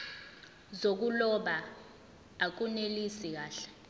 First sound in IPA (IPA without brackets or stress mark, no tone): z